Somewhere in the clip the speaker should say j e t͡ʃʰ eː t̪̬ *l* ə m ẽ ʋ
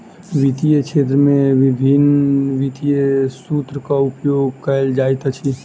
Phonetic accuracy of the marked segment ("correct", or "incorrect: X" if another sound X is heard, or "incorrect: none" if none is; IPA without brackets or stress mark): incorrect: ɾ